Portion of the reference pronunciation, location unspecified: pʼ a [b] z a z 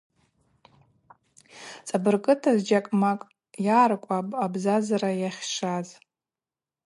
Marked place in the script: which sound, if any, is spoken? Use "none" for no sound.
b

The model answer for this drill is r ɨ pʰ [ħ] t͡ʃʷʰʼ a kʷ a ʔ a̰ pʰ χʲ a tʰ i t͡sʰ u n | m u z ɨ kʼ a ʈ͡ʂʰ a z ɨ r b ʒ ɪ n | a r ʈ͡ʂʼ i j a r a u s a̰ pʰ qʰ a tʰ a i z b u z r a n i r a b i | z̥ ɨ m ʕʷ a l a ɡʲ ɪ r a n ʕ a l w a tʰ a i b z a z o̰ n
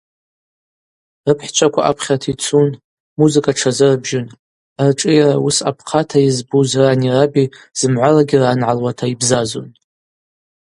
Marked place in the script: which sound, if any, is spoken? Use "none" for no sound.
ħ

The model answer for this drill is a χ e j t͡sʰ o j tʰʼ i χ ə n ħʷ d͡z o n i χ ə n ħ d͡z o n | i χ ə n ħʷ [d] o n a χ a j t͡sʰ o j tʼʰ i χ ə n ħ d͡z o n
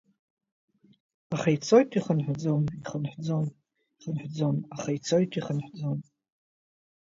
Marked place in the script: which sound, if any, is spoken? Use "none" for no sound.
d͡z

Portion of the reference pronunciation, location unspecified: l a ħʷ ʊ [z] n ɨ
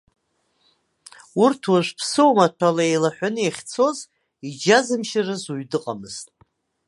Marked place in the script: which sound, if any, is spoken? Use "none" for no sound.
none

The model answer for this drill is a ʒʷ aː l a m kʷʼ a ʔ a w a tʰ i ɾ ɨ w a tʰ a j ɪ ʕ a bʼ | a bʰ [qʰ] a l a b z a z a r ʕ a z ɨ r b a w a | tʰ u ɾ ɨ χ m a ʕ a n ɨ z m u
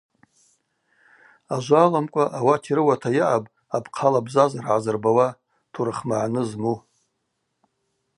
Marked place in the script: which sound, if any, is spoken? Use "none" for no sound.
qʰ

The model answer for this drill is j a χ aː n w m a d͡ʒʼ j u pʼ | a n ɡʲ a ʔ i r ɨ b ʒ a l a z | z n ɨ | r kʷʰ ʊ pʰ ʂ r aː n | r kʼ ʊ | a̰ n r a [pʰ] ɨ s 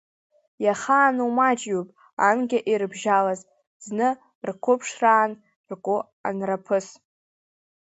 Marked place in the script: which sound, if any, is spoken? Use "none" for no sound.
pʰ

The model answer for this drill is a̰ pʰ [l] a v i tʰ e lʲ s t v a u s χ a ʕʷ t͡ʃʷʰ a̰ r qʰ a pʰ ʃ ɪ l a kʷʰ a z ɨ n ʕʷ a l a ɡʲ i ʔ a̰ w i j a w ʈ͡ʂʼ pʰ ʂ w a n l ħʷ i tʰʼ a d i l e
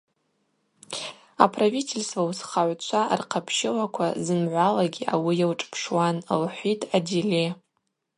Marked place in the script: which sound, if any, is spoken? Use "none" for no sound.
r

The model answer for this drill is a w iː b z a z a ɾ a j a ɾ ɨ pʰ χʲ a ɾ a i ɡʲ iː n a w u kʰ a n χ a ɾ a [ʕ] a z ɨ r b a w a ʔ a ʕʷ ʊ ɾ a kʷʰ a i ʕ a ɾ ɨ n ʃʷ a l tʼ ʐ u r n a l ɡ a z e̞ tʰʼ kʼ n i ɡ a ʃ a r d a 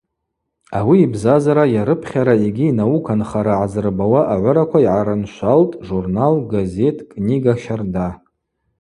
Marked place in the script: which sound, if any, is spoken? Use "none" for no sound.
ʕ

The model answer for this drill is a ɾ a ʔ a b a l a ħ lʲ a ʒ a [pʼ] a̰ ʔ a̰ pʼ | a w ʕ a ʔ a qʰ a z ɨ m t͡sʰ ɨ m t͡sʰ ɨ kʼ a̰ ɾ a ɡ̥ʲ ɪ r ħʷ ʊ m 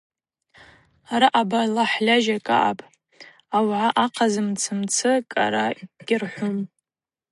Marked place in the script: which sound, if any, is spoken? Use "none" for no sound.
kʼ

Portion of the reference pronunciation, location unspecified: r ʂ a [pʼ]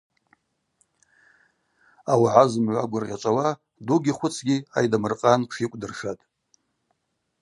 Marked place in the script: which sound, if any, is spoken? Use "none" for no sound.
tʼ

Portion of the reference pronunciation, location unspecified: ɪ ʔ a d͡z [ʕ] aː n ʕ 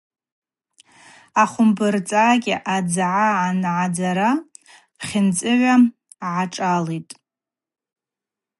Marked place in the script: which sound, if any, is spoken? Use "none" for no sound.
ʕ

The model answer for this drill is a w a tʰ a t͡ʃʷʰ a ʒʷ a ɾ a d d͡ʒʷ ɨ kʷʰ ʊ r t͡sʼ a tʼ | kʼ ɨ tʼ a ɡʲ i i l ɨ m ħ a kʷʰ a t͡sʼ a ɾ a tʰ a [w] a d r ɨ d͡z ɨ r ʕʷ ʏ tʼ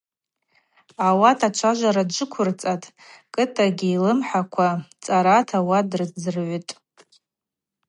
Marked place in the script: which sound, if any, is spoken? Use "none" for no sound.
w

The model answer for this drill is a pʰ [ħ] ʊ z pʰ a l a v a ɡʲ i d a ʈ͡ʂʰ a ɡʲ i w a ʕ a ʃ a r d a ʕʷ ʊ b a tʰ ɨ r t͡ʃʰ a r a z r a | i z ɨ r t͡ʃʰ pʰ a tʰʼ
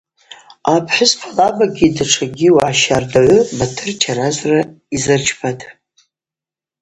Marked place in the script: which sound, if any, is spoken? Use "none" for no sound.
ħ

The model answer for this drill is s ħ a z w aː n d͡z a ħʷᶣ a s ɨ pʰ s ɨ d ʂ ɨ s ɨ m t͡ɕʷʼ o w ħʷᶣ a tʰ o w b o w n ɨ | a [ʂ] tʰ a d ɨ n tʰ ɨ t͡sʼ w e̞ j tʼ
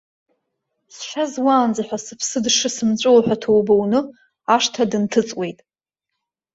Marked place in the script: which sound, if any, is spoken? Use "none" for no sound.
ʂ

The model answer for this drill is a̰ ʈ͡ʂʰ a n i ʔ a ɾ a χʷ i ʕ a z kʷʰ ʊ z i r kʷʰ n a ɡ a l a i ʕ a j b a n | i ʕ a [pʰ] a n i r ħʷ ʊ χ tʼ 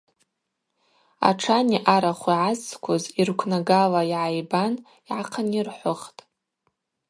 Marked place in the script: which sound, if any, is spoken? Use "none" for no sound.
qʰ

